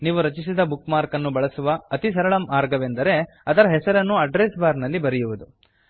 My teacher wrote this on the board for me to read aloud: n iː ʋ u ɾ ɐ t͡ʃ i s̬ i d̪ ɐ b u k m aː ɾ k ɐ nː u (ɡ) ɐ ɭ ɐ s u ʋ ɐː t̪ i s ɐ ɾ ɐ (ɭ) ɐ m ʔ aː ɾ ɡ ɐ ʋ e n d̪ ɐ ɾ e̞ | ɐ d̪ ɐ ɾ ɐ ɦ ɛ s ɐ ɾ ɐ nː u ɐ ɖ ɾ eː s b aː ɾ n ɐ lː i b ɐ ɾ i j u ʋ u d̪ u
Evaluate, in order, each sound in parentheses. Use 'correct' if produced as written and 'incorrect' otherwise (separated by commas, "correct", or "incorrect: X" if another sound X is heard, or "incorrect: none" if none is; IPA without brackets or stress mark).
incorrect: b, correct